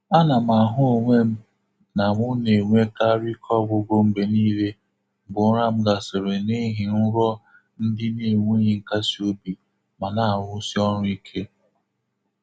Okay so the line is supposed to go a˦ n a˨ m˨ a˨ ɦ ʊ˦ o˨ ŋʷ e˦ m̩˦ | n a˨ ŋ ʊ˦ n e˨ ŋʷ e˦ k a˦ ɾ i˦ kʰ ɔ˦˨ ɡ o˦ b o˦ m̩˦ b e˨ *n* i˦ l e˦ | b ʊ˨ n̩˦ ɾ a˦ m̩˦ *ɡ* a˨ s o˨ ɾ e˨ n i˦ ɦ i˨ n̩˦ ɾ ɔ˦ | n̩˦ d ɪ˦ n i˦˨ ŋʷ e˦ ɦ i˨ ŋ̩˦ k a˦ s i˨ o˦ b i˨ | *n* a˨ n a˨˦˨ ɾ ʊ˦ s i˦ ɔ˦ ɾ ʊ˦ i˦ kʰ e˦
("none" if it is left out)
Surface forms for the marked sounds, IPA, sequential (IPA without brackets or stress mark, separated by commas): n, ɡ, m